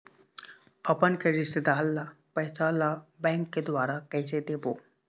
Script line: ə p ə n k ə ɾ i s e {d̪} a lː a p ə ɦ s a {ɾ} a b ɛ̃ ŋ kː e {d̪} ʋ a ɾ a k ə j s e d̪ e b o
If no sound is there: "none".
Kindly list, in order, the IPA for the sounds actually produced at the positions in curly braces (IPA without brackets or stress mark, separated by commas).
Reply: d̪, l, d̪